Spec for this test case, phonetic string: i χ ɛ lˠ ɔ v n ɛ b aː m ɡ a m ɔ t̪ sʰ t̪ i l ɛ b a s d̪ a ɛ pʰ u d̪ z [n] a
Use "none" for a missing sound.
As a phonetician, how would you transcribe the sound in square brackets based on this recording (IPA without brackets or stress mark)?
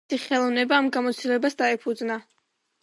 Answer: n